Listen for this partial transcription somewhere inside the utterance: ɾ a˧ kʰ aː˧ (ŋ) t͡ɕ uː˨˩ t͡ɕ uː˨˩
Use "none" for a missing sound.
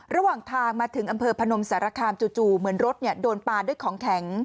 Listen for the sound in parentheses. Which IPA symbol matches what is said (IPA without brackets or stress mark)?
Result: m